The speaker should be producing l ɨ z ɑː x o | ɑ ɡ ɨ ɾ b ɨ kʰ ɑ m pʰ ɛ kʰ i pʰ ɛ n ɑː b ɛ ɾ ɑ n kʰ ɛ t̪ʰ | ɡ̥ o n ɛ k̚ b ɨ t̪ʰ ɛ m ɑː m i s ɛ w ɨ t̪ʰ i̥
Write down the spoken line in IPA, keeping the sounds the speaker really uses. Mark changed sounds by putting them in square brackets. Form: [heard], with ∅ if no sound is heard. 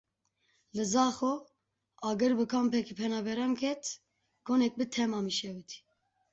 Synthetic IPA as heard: l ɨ z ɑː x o | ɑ ɡ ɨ ɾ b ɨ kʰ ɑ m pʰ ɛ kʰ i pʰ ɛ n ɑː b ɛ ɾ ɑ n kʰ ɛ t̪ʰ | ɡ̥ o n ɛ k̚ b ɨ t̪ʰ ɛ m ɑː m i [ʃ] ɛ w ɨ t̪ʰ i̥